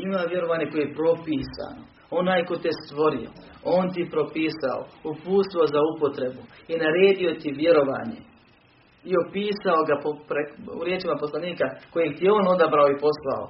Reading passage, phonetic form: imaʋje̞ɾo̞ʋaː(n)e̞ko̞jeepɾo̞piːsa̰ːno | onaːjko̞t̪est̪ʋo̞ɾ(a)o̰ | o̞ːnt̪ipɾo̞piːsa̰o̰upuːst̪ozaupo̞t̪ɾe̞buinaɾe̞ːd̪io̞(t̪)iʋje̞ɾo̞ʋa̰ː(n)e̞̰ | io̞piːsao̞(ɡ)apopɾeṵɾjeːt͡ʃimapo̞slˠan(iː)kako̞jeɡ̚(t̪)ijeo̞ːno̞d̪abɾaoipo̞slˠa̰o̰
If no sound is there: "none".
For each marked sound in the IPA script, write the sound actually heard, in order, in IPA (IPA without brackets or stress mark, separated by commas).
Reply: ɲ, i, t̪, ɲ, ɡ, iː, t̪